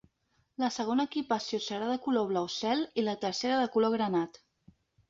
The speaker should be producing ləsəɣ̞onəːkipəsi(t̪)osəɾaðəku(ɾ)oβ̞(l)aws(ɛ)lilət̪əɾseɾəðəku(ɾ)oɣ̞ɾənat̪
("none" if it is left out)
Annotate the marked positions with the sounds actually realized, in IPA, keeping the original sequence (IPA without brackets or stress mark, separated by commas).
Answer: none, l, l, ɛ, l